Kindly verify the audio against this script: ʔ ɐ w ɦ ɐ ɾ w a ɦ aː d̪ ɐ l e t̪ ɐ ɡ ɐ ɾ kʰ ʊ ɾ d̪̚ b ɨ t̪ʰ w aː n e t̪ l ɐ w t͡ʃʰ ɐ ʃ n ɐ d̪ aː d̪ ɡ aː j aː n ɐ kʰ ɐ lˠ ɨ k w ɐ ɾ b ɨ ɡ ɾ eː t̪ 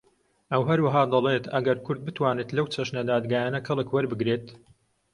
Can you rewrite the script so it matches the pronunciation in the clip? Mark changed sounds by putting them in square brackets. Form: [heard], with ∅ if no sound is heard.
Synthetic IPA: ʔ ɐ w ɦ ɐ ɾ w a ɦ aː d̪ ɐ l e t̪ ɐ ɡ ɐ ɾ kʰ ʊ ɾ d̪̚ b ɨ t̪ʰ w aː n e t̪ l ɐ w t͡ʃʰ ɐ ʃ n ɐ d̪ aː d̪ ɡ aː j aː n ɐ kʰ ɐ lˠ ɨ k w ɐ ɾ b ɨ ɡ ɾ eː t̪